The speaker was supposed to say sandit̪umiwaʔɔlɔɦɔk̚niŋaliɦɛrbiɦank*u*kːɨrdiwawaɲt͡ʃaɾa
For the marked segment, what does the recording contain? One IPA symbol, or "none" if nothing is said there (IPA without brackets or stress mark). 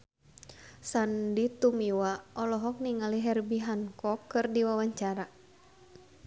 ɔ